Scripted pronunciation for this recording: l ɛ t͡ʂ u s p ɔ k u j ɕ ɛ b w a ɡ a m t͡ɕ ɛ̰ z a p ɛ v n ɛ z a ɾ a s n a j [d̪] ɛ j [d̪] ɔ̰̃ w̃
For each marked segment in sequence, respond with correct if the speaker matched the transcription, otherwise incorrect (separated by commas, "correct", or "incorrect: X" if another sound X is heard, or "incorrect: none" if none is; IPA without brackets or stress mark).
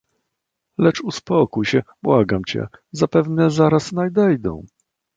correct, correct